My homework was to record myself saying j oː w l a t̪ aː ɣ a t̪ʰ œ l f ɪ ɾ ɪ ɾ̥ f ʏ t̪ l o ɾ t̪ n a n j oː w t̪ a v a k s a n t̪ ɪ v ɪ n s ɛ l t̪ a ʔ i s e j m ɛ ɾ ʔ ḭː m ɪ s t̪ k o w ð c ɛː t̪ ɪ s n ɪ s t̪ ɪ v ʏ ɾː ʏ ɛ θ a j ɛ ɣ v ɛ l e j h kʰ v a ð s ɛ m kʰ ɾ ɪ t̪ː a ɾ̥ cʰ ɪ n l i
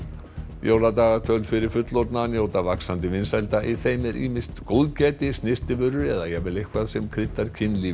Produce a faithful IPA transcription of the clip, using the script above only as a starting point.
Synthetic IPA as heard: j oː w l a t̪ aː ɣ a t̪ʰ œ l f ɪ ɾ ɪ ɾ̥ f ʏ t̪ l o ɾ t̪ n a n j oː w t̪ a v a k s a n t̪ ɪ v ɪ n s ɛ l t̪ a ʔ i θ e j m ɛ ɾ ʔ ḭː m ɪ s t̪ k o w ð c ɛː t̪ ɪ s n ɪ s t̪ ɪ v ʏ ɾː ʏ ɛ ð a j ɛ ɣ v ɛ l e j h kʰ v a ð s ɛ m kʰ ɾ ɪ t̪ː a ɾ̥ cʰ ɪ n l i